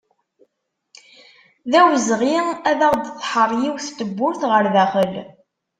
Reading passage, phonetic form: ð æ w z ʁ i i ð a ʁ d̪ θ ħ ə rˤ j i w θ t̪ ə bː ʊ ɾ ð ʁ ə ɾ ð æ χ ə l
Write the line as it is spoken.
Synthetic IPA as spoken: ð æ w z ʁ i æ ð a ʁ d̪ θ ħ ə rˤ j i w θ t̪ ə bː ʊ ɾ θ ʁ ə ɾ ð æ χ ə l